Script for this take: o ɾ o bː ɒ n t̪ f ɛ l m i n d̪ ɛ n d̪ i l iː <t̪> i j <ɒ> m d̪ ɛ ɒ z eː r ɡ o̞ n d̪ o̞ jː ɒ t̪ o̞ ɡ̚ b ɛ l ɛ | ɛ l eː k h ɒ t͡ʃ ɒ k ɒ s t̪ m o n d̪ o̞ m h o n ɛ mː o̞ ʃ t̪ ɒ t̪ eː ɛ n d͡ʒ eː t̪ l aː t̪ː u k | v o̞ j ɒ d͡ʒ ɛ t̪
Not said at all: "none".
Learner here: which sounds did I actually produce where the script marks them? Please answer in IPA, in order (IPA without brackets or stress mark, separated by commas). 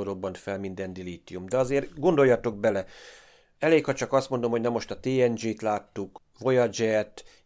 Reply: t̪, u